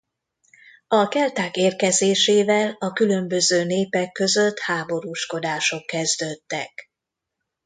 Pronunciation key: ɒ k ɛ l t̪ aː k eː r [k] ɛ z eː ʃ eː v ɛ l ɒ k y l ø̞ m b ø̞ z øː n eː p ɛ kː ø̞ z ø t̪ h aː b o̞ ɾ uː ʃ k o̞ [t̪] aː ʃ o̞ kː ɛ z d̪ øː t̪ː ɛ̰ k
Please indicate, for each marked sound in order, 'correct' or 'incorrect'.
correct, incorrect: d̪

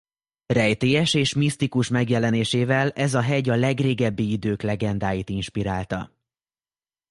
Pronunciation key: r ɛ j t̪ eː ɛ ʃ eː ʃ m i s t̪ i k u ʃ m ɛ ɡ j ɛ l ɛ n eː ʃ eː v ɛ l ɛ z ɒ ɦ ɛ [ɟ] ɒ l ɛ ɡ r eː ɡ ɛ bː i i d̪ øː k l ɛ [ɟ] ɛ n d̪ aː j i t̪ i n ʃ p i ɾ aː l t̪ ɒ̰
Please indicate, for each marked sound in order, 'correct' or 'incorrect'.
correct, incorrect: ɡ

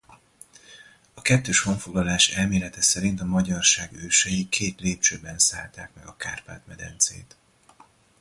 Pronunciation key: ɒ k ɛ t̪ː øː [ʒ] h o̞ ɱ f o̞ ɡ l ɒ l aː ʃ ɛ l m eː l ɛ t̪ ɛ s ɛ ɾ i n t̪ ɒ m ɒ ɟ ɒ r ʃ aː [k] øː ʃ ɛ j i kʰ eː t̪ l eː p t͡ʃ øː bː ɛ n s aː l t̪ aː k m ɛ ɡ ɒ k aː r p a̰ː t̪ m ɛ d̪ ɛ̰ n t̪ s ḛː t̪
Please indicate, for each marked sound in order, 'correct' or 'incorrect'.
incorrect: ʃ, incorrect: ɡ

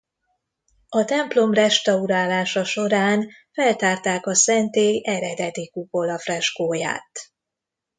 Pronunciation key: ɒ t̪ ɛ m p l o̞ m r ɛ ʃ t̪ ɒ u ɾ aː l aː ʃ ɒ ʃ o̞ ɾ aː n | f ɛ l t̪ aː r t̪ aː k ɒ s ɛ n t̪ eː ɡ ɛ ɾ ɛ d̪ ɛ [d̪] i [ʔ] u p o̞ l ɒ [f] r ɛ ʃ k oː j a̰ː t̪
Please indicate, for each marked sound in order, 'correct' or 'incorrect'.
correct, incorrect: k, correct

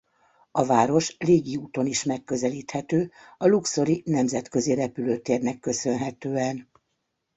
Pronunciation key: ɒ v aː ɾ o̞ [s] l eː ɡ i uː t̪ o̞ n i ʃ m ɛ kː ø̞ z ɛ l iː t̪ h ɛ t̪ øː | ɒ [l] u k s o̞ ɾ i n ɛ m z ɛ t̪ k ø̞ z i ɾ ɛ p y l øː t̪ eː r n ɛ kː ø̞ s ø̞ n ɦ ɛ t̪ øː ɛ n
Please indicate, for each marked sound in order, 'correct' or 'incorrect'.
incorrect: ʃ, correct

